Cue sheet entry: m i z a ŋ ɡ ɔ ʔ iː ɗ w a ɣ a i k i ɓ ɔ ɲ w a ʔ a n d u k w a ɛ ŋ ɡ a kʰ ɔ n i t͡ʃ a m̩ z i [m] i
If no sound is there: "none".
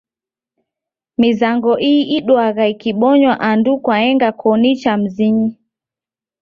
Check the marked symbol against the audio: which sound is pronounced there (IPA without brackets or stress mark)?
ɲ